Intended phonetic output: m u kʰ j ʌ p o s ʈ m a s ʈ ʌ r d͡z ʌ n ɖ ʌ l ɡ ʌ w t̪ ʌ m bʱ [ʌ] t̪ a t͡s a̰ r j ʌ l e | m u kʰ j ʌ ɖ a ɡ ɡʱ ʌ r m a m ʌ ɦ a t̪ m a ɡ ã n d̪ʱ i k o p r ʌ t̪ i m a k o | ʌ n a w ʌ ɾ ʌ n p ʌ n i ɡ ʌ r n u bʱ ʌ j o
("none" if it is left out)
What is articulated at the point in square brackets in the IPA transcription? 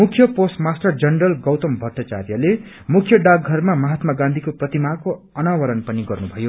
ʌ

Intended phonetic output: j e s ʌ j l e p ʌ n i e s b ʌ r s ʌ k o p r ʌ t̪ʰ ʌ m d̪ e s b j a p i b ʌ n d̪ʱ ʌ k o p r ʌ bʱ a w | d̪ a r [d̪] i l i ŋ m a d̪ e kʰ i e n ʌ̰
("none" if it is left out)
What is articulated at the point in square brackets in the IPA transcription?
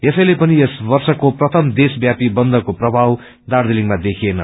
d̪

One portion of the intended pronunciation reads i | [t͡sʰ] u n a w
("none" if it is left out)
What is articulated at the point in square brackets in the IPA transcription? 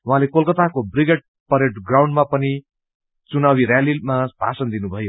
t͡s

